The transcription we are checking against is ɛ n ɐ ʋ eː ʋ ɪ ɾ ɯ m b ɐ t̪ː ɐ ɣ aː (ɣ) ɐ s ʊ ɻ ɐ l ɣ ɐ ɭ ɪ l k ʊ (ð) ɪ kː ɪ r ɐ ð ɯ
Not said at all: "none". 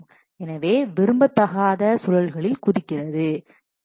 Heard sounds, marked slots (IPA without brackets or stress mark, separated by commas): ð, ð